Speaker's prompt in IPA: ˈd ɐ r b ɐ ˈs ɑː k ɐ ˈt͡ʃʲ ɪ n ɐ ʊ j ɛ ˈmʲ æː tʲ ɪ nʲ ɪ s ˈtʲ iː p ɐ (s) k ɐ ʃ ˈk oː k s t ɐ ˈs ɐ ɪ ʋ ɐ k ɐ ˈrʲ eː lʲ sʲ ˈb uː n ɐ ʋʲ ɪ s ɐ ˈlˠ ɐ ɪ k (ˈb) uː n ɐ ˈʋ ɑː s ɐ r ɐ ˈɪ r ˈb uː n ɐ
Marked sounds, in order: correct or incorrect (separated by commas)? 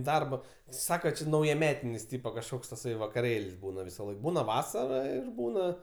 incorrect, correct